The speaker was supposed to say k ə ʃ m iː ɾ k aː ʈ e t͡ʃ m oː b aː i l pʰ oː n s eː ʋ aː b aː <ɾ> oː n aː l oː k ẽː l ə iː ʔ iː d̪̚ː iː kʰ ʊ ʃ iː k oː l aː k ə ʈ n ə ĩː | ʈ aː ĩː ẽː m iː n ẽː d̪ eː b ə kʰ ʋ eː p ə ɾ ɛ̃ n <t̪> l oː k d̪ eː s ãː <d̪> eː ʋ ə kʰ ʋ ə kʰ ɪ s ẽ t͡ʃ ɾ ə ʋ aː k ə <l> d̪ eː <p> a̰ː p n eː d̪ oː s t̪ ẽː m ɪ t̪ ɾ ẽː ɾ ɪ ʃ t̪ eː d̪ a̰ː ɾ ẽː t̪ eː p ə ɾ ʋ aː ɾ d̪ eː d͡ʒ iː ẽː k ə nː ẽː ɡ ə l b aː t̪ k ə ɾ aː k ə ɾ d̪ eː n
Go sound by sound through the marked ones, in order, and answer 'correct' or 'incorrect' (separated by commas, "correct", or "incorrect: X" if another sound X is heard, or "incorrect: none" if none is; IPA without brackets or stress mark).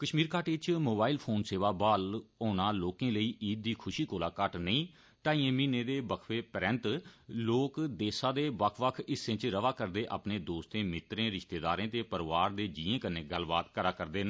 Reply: incorrect: l, correct, correct, incorrect: ɾ, incorrect: ʔ